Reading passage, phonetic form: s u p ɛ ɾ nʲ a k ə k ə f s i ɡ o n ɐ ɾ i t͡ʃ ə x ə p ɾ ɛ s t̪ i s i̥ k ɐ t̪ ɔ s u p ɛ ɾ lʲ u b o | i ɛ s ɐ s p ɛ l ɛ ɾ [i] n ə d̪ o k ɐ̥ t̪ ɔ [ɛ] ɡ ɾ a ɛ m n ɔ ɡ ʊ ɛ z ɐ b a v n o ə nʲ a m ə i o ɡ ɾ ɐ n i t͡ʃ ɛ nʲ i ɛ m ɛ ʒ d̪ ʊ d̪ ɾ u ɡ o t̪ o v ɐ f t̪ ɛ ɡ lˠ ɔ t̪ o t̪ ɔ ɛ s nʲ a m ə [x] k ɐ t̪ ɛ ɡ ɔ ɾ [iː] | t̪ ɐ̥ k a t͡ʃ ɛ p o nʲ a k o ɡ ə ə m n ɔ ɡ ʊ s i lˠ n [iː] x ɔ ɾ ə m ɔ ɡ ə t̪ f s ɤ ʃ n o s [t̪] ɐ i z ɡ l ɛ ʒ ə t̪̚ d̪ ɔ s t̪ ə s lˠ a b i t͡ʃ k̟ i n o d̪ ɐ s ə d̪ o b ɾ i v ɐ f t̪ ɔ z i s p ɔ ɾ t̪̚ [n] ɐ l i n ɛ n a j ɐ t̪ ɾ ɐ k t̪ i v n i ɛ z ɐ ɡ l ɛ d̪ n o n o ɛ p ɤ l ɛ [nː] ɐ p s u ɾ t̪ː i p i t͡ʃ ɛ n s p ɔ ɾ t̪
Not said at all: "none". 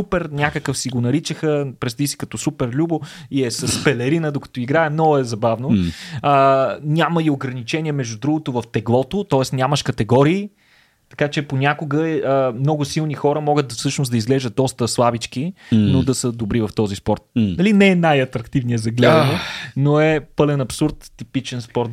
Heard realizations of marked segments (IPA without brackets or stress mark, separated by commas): i, i, ʃ, iː, i, d̪, n, n